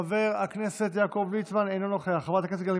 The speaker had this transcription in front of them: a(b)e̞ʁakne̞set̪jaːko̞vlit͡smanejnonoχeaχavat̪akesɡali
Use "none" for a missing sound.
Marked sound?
v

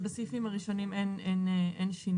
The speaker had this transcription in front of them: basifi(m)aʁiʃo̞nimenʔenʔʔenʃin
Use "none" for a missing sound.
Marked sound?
m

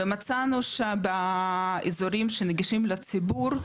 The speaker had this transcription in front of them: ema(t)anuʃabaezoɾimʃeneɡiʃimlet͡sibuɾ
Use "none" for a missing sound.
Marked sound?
t͡s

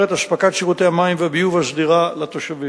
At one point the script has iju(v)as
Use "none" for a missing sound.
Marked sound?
v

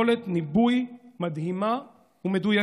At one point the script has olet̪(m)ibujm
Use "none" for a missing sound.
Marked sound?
n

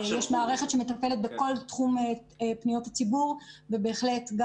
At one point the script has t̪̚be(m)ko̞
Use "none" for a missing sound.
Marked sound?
none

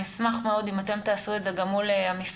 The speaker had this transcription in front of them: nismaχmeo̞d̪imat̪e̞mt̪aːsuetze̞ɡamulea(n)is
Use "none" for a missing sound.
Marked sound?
m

